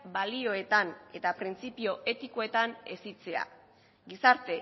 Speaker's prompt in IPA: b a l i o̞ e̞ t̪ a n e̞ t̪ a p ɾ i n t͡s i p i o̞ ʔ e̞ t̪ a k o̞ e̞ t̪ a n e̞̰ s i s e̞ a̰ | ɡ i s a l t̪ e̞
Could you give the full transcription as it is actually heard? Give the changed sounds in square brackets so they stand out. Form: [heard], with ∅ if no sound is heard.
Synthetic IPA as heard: b a l i o̞ e̞ t̪ a n e̞ t̪ a p ɾ i n t͡s i p i o̞ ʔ e̞ t̪ [i] k o̞ e̞ t̪ a n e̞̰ s i [t͡s] e̞ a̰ | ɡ i s a [ɾ] t̪ e̞